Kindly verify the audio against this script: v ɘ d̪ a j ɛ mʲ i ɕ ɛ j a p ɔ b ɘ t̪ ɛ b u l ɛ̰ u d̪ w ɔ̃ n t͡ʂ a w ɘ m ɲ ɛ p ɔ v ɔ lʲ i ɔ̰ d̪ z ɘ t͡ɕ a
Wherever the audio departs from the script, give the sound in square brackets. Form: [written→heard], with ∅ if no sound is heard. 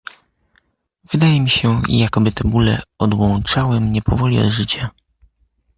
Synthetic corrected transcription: v ɘ d̪ a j ɛ mʲ i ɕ ɛ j a [p→k] ɔ b ɘ t̪ ɛ b u l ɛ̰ [u→ɔ] d̪ w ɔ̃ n t͡ʂ a w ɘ m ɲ ɛ p ɔ v ɔ lʲ i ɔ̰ d̪ [z→ʐ] ɘ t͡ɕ a